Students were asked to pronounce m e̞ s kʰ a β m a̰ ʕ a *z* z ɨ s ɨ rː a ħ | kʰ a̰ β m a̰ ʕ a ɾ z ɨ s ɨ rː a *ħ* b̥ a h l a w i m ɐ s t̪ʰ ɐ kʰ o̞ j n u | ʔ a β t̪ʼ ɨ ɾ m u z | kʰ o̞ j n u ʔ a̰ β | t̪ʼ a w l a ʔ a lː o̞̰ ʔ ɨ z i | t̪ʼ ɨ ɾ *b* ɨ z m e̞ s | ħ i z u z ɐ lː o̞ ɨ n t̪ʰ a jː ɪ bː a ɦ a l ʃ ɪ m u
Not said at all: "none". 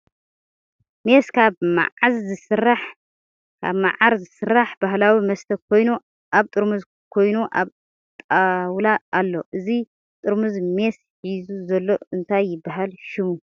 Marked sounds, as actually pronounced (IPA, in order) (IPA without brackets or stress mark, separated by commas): z, ħ, m